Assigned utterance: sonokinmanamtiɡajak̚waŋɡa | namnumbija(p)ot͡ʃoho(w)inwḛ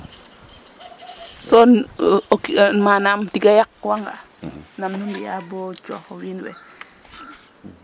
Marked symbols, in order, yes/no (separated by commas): no, yes